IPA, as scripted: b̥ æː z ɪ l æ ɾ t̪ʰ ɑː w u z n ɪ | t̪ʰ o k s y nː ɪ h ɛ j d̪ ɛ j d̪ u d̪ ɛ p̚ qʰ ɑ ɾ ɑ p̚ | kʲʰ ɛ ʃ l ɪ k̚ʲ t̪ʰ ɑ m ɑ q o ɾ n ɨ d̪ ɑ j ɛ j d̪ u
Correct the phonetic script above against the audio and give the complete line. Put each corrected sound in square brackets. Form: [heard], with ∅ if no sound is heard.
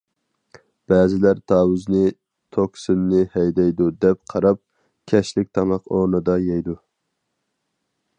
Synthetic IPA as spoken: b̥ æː z ɪ l æ ɾ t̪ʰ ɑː w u z n ɪ | t̪ʰ o k s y nː ɪ h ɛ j d̪ ɛ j d̪ u d̪ ɛ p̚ qʰ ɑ ɾ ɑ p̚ | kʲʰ ɛ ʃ l ɪ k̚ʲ t̪ʰ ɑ m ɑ q o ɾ n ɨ d̪ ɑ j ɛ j d̪ u